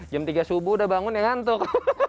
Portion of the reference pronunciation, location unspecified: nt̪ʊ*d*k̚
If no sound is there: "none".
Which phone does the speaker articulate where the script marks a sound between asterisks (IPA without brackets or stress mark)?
none